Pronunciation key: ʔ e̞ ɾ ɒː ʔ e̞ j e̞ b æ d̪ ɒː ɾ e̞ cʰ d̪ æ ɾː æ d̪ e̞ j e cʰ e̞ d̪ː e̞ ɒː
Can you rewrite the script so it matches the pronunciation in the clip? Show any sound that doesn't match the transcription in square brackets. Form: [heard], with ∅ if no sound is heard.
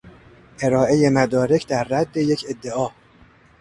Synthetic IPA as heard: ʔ e̞ ɾ ɒː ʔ e̞ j e̞ [m] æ d̪ ɒː ɾ e̞ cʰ d̪ æ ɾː æ [d̪ː] e̞ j e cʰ e̞ d̪ː e̞ ɒː